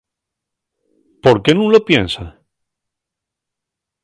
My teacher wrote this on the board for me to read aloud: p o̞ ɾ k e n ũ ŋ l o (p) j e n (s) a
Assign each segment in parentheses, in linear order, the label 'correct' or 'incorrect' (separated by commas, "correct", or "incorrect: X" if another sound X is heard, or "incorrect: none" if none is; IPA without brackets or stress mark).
correct, correct